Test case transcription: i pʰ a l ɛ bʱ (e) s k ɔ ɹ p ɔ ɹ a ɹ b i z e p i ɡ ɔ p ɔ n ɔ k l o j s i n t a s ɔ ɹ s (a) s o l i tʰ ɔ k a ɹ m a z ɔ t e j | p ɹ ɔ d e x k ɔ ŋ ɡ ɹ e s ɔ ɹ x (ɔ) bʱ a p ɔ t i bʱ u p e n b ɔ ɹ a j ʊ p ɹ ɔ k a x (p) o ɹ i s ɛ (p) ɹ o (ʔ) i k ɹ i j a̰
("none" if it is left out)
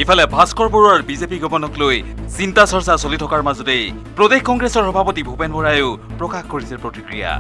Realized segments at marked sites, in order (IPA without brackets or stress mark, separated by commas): a, a, ɔ, k, p, t